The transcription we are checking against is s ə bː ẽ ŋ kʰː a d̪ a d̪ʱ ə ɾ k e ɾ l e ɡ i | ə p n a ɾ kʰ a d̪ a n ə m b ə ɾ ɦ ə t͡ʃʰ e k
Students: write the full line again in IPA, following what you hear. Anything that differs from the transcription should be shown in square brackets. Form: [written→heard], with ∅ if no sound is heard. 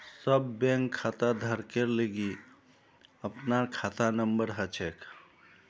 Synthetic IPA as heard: s ə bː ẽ ŋ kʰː a [d̪→t̪] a d̪ʱ ə ɾ k e ɾ l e ɡ i | ə p n a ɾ kʰ a [d̪→t̪] a n ə m b ə ɾ ɦ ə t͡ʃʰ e k